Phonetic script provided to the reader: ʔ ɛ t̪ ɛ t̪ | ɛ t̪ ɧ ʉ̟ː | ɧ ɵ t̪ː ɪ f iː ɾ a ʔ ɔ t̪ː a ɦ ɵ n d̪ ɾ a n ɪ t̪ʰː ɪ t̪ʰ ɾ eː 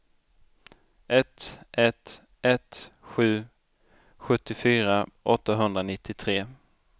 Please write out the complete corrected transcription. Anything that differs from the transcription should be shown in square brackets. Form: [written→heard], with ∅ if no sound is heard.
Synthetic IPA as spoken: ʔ ɛ t̪ ɛ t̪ | ɛ t̪ ɧ ʉ̟ː | ɧ ɵ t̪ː ɪ f [iː→yː] ɾ a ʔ ɔ t̪ː a ɦ ɵ n d̪ ɾ a n ɪ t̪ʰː ɪ t̪ʰ ɾ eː

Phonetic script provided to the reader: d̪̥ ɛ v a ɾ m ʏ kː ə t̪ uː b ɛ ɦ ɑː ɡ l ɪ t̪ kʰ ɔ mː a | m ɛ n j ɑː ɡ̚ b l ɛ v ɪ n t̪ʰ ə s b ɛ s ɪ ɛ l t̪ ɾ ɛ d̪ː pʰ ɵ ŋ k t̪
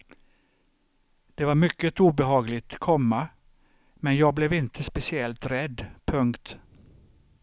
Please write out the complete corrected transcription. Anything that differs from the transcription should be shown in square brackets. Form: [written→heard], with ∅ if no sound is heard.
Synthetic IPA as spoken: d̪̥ ɛ v a ɾ m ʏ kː ə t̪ uː b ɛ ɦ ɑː ɡ l ɪ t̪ kʰ ɔ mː a | m ɛ n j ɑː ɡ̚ b l ɛ v ɪ n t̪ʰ ə s [b→p] ɛ s ɪ ɛ l t̪ ɾ ɛ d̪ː pʰ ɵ ŋ k t̪

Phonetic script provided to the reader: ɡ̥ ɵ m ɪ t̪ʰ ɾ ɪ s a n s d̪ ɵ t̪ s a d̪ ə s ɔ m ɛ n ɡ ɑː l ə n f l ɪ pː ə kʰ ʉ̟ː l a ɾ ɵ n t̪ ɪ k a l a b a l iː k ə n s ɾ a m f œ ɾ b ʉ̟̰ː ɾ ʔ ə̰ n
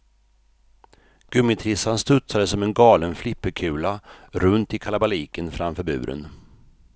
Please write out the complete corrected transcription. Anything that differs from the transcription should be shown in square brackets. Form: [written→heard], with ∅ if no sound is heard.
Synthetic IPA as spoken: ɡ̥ ɵ m ɪ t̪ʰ ɾ ɪ s a n s [d̪→t̪] ɵ t̪ s a d̪ ə s ɔ m ɛ n ɡ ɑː l ə n f l ɪ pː ə kʰ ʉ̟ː l a ɾ ɵ n t̪ ɪ [k→kʰ] a l a b a l iː k ə n [s→f] ɾ a m f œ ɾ b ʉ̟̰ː ɾ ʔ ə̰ n

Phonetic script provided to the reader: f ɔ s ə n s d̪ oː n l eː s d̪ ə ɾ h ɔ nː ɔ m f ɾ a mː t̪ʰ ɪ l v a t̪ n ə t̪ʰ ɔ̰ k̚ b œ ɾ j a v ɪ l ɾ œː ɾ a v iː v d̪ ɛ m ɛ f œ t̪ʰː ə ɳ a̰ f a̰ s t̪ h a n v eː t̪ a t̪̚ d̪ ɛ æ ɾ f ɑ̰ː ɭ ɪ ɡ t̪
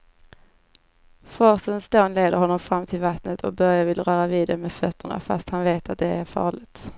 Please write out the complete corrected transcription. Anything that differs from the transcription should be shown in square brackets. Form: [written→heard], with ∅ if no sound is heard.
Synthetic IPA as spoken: f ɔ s ə n s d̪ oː n l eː [s→∅] d̪ ə ɾ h ɔ nː ɔ m f ɾ a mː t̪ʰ ɪ l v a t̪ n ə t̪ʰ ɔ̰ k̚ b œ ɾ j a v ɪ l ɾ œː ɾ a v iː [v→∅] d̪ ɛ m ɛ f œ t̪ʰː ə ɳ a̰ f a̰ s t̪ h a n v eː t̪ a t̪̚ d̪ ɛ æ ɾ f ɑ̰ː ɭ ɪ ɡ t̪

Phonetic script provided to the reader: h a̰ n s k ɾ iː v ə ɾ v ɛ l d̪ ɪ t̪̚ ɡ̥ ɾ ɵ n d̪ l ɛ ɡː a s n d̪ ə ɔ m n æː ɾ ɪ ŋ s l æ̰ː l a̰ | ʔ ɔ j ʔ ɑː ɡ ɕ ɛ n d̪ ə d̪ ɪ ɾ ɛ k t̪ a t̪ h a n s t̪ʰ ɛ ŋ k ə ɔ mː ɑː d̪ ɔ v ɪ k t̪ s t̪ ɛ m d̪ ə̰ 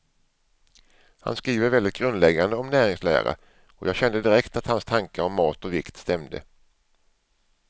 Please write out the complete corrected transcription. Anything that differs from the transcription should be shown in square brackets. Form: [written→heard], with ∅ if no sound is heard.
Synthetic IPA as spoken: h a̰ n s k ɾ iː v ə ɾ v ɛ l d̪ ɪ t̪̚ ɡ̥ ɾ ɵ n d̪ l ɛ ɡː a [s→∅] n d̪ ə ɔ m n æː ɾ ɪ ŋ s l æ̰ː [l→ɾ] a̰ | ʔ ɔ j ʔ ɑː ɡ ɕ ɛ n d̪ ə d̪ ɪ ɾ ɛ k t̪ a t̪ h a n s t̪ʰ [ɛ→a] ŋ k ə ɔ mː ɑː [d̪→t̪] ɔ v ɪ k t̪ s t̪ ɛ m d̪ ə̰

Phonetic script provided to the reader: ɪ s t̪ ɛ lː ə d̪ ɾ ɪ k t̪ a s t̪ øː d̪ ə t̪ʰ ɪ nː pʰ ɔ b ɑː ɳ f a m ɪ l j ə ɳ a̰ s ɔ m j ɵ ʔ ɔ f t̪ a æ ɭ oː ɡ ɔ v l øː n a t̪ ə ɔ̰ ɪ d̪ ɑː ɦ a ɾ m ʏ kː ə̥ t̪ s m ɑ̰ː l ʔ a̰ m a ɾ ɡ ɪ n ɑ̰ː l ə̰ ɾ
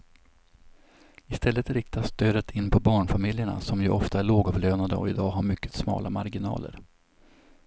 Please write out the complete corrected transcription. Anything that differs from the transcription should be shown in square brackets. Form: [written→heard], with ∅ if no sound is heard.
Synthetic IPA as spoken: ɪ s t̪ ɛ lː ə [d̪→t̪] ɾ ɪ k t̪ a s t̪ øː d̪ ə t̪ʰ ɪ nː pʰ ɔ b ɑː ɳ f a m ɪ l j ə ɳ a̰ s ɔ m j ɵ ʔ ɔ f t̪ a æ ɭ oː ɡ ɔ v l øː n a [t̪→d̪] ə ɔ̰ ɪ d̪ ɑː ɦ a ɾ m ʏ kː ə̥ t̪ s m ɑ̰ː l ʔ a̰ m a ɾ ɡ ɪ n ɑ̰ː l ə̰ ɾ

